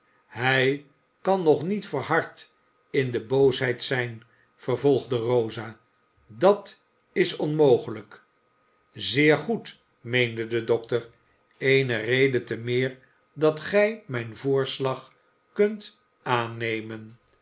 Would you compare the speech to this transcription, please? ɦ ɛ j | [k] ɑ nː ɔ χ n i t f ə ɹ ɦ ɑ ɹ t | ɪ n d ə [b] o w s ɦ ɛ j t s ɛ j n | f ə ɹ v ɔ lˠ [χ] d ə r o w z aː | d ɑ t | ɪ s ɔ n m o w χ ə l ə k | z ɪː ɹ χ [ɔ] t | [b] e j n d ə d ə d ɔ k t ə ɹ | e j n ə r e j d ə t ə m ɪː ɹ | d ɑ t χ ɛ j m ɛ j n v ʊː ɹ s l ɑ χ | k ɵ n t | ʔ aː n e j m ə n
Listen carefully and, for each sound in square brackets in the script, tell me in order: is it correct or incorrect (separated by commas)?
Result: correct, correct, correct, incorrect, incorrect